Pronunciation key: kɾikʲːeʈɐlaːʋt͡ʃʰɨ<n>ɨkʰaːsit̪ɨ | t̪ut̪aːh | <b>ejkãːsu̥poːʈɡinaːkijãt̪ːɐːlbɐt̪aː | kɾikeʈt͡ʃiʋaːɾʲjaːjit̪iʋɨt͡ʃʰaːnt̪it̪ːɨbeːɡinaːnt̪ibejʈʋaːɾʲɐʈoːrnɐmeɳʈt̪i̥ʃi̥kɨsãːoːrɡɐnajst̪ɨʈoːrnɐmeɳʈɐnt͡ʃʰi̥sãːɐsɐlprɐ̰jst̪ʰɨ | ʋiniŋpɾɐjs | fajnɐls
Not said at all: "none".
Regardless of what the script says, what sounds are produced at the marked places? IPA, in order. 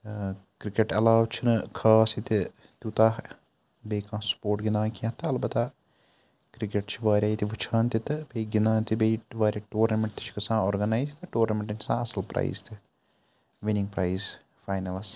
n, b

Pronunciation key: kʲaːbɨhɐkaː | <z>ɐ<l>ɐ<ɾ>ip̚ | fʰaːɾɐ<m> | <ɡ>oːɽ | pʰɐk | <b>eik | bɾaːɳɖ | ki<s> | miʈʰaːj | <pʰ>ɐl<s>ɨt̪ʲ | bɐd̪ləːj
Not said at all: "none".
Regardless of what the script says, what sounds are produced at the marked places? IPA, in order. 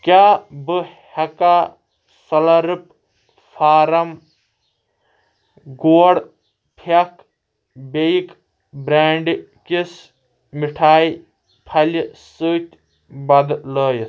s, l, ɾ, m, ɡ, b, s, pʰ, s

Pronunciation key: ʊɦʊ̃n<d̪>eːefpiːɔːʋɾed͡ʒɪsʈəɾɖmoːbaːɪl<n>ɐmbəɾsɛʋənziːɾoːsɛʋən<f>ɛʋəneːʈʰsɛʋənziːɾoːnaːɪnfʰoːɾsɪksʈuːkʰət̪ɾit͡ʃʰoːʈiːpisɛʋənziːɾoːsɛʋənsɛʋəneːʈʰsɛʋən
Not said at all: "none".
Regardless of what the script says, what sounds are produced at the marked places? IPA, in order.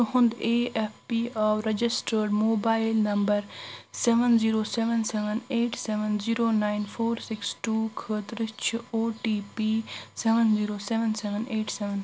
d̪, n, s

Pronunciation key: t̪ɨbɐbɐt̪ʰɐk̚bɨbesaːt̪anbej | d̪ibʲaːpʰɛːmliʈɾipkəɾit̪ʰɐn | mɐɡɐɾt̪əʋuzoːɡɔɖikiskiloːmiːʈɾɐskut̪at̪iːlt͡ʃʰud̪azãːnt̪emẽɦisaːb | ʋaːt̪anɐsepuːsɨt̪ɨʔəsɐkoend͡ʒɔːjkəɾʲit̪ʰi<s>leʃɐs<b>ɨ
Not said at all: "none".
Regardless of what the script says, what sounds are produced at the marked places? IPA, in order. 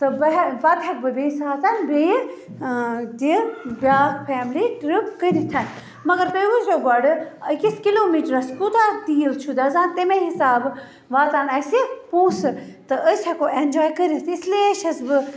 s, b

